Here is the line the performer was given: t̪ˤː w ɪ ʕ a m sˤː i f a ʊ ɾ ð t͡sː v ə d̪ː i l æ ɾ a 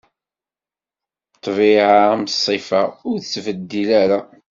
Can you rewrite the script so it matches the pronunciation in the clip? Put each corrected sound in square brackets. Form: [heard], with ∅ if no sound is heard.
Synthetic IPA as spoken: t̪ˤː [v] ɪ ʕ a m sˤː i f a ʊ ɾ [θ] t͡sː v ə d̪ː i l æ ɾ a